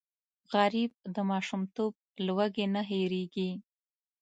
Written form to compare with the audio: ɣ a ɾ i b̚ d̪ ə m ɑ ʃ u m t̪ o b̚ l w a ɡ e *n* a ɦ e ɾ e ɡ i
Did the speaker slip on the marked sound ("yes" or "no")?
no